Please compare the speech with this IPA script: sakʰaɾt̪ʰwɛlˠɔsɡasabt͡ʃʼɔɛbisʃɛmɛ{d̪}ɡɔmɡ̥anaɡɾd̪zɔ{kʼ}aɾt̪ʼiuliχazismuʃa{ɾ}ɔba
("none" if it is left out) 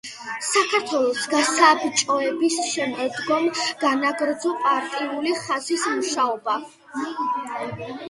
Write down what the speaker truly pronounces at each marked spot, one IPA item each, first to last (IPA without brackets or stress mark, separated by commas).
d̪, pʼ, none